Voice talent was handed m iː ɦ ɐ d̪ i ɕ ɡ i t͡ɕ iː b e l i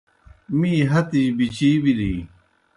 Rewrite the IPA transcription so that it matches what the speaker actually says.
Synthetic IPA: m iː ɦ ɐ t̪ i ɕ b i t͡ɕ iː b i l i